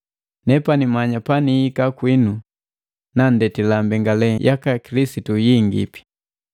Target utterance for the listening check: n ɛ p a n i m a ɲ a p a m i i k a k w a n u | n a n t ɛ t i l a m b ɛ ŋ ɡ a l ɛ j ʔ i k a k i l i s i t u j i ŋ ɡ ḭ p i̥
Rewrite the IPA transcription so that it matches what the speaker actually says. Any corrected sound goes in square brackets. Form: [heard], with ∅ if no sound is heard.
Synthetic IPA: n ɛ p a n i m a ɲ a p a [n] i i k a k w [i] n u | n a n [d] ɛ t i l a m b ɛ ŋ ɡ a l ɛ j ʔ [a] k a k i l i s i t u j i ŋ ɡ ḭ p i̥